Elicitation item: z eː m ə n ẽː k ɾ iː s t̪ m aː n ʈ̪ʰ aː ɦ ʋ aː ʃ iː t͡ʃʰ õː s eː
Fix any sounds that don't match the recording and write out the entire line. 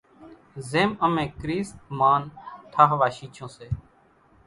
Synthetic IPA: z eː m ə m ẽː k ɾ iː s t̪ m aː n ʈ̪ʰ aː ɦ ʋ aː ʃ iː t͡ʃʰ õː s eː